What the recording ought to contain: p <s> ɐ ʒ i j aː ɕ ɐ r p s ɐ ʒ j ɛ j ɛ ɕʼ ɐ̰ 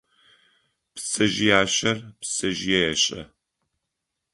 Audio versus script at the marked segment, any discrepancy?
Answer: no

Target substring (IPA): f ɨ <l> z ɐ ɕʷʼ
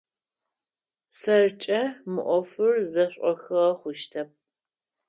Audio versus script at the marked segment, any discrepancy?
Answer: yes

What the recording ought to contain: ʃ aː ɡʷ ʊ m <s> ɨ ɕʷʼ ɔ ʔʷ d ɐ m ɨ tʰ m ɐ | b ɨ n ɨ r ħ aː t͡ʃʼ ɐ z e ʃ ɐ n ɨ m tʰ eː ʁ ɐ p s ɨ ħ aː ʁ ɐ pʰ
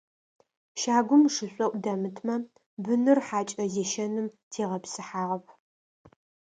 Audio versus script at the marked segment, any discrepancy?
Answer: yes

